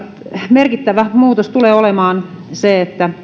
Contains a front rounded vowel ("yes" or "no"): no